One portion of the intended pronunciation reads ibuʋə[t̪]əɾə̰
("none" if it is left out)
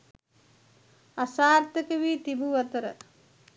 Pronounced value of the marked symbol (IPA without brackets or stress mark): t̪